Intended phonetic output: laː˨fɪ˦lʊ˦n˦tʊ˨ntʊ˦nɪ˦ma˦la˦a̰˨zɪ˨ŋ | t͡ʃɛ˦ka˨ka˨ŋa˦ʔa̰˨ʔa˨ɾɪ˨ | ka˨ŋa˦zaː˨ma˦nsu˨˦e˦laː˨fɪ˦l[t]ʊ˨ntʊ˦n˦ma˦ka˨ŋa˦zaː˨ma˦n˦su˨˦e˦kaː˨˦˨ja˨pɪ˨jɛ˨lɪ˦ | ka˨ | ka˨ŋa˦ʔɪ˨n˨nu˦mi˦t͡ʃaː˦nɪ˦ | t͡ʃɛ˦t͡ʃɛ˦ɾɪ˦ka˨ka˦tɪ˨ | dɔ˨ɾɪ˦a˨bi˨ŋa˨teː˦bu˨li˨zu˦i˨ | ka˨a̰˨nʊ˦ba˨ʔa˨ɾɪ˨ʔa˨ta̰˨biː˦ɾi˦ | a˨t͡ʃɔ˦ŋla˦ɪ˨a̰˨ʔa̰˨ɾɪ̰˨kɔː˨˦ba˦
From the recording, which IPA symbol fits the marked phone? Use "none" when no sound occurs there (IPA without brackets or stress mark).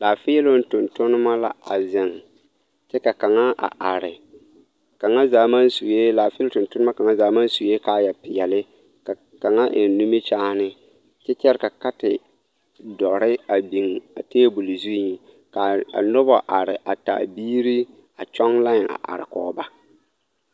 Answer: t